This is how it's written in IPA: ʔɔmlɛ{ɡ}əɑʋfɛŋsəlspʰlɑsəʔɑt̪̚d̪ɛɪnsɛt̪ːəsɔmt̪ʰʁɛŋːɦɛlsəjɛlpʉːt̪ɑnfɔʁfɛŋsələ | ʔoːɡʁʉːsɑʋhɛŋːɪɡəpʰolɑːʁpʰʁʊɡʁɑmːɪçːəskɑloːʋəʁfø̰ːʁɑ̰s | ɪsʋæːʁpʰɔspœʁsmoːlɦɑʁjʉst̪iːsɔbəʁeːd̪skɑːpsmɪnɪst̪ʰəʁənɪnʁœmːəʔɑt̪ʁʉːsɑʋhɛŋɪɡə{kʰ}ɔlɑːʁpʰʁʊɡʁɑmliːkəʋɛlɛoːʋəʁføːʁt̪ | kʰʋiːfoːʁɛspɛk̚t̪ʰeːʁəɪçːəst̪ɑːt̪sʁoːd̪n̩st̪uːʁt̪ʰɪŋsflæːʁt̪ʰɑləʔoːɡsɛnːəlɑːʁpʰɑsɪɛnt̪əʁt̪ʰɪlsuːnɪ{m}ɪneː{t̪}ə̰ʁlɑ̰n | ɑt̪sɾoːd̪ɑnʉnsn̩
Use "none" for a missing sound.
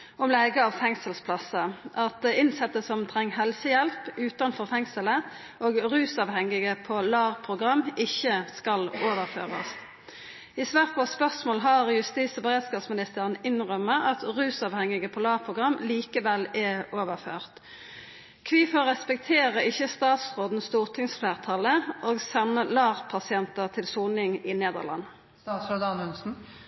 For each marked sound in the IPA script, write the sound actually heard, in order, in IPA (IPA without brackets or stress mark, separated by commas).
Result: ɡ, pʰ, ŋ, d̪